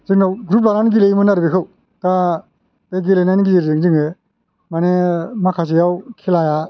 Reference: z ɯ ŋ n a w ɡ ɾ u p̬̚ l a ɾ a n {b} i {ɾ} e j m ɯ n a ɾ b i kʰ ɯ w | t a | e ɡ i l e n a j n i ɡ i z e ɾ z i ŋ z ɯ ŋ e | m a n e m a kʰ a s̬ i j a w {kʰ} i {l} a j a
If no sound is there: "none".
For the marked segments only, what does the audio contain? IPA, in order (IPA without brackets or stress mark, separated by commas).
ɡ, l, kʰ, l